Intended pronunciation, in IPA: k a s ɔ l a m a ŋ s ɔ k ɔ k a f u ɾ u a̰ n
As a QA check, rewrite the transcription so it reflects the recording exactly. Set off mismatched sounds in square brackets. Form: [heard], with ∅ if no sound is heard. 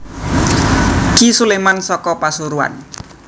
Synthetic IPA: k [i] s [u] l [e] m a [n] s ɔ k ɔ [p] a [s] u ɾ u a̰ n